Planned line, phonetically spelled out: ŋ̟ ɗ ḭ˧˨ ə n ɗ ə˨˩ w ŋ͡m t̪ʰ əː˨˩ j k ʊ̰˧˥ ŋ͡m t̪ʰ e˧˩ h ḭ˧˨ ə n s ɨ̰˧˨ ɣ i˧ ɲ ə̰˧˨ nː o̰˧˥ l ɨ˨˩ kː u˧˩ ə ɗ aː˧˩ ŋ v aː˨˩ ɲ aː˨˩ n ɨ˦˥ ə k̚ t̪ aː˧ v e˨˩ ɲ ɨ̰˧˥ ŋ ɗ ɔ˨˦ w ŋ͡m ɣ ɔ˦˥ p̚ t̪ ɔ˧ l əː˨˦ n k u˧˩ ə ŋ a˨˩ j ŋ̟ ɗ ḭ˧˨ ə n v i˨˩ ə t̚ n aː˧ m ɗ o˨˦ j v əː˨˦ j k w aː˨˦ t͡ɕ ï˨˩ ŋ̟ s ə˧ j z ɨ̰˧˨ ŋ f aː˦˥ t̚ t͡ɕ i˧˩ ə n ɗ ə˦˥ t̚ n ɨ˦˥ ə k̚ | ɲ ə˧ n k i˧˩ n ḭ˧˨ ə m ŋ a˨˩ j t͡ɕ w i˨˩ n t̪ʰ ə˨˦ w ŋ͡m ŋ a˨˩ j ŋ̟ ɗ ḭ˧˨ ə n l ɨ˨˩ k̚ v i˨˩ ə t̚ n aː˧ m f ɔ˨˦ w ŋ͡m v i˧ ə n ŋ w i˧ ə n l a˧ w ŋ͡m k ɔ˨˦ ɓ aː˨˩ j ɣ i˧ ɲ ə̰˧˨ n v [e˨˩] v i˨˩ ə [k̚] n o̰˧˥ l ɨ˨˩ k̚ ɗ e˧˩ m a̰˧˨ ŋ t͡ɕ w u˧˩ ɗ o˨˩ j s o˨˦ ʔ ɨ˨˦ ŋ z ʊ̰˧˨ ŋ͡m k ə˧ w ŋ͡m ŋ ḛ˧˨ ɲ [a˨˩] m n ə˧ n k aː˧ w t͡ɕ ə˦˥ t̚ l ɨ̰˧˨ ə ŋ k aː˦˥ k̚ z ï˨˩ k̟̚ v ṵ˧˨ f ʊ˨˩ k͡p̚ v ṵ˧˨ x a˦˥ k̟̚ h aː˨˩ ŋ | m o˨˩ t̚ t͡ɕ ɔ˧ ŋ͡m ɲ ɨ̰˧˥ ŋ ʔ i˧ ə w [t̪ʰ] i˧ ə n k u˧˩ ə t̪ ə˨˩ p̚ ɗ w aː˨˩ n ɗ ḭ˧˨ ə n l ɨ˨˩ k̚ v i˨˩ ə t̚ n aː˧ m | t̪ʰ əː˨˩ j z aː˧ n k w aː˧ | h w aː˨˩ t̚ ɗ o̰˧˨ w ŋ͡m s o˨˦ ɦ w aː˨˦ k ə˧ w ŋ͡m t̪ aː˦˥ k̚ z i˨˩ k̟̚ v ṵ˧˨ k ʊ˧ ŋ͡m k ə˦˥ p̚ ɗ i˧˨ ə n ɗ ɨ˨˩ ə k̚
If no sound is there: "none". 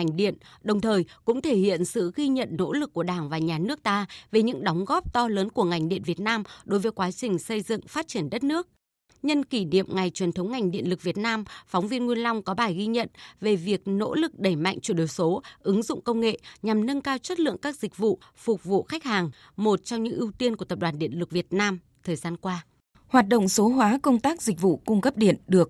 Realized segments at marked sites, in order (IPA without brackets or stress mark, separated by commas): e˨˩, k̚, a˨˩, t̪